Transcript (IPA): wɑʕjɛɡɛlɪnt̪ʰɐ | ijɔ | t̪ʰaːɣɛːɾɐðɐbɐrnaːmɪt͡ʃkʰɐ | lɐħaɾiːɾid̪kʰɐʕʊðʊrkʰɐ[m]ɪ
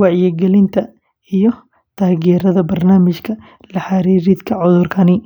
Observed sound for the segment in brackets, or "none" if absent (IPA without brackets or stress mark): n